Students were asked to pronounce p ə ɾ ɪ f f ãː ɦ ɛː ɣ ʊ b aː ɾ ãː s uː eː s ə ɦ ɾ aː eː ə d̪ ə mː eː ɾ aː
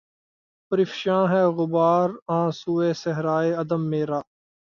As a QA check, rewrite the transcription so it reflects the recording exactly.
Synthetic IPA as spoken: p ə ɾ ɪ f ʃ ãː ɦ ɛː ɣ ʊ b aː ɾ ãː s uː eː s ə ɦ ɾ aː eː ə d̪ ə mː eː ɾ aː